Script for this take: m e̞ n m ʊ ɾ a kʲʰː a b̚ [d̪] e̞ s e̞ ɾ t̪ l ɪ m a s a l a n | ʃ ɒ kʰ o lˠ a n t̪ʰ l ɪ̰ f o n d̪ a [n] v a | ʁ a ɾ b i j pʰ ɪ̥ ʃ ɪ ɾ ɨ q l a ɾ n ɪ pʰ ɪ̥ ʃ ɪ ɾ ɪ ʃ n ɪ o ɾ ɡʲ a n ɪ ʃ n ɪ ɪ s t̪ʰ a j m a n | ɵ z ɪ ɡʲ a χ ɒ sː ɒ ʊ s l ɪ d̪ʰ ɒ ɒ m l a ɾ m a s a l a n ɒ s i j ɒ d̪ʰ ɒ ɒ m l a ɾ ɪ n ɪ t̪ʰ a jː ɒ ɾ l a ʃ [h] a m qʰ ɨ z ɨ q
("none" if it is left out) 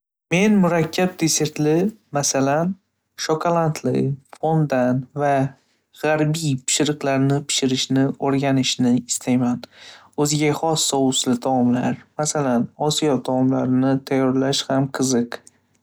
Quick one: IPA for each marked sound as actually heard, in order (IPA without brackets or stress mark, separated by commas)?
d̪, n, h